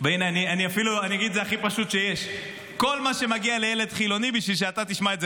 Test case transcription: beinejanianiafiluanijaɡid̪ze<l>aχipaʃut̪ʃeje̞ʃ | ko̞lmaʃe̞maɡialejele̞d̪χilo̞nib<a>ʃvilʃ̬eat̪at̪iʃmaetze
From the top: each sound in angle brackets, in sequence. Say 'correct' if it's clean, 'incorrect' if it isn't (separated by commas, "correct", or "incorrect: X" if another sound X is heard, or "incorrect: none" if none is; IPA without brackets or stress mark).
incorrect: none, incorrect: i